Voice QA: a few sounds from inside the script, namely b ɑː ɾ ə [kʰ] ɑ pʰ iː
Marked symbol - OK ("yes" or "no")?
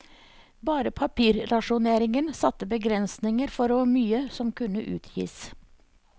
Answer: no